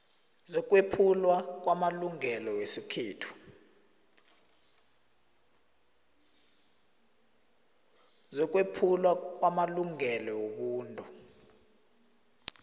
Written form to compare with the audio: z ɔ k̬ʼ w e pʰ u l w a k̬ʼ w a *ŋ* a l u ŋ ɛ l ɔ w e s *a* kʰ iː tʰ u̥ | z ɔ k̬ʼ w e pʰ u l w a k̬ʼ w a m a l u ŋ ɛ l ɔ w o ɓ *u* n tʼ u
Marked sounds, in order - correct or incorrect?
incorrect: m, incorrect: i, incorrect: uː

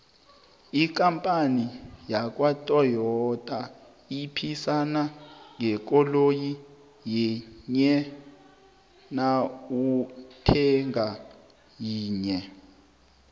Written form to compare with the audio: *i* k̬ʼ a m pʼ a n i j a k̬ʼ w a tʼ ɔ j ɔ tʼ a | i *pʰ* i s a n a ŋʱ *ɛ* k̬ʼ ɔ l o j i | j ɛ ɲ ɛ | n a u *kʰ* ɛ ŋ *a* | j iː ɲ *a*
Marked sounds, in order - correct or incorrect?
correct, correct, correct, incorrect: tʰ, correct, incorrect: ɛ

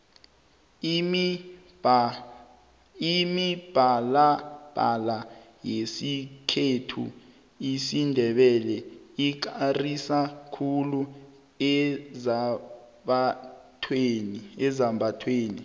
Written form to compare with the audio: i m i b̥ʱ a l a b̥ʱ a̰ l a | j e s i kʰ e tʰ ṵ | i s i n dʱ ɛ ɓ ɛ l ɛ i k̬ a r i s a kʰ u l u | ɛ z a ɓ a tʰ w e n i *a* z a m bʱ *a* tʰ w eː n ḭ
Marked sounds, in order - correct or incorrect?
incorrect: ɛ, correct

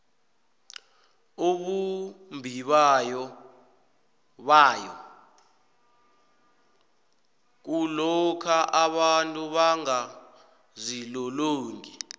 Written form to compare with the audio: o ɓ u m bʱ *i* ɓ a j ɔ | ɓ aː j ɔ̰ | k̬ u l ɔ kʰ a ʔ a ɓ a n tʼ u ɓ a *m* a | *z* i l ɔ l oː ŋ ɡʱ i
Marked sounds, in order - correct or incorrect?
correct, incorrect: ŋ, correct

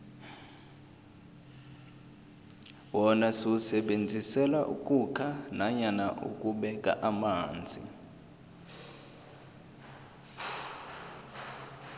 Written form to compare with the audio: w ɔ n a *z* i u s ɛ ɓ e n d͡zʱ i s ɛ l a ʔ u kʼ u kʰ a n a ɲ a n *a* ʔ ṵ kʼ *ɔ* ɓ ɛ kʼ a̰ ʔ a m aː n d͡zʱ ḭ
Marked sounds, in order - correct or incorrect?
incorrect: s, correct, incorrect: u

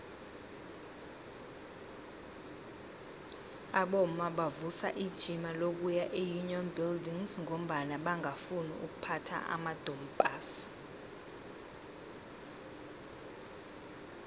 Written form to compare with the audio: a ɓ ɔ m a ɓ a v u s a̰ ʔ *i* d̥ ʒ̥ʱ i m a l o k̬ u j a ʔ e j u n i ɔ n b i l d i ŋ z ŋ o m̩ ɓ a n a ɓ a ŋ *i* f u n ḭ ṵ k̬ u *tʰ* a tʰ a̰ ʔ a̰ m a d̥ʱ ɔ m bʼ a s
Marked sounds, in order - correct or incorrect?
correct, incorrect: a, incorrect: pʰ

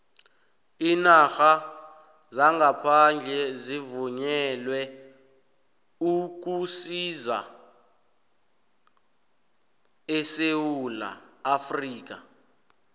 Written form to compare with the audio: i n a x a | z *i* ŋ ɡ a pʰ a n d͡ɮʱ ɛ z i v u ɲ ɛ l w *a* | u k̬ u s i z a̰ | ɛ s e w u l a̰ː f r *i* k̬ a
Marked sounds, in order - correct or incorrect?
incorrect: a, incorrect: ɛ, incorrect: iː

